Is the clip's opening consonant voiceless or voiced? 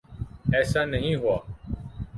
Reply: voiceless